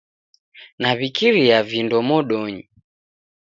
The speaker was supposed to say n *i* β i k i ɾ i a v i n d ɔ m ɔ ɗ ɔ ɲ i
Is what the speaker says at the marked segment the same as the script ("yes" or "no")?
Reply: no